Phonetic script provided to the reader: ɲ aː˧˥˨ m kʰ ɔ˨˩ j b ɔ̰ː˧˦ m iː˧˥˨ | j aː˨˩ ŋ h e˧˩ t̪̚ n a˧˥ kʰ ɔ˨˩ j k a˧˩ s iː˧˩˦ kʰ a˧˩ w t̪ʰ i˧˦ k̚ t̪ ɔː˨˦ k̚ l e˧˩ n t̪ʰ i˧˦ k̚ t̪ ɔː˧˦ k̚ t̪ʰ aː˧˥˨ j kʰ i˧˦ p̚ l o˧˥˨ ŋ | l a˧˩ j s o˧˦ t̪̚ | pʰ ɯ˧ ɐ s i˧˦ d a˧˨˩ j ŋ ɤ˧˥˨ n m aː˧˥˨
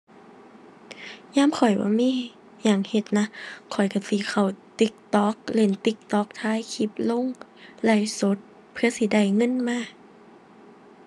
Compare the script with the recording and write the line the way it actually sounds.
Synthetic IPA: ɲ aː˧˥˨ m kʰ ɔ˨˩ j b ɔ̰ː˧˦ m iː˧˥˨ | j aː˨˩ ŋ h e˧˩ t̪̚ n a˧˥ kʰ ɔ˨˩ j k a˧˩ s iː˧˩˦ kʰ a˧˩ w t̪ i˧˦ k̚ t̪ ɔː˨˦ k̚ l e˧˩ n t̪ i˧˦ k̚ t̪ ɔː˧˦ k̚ t̪ʰ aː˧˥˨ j kʰ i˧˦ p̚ l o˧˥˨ ŋ | l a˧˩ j s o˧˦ t̪̚ | pʰ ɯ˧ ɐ s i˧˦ d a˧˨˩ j ŋ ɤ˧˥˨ n m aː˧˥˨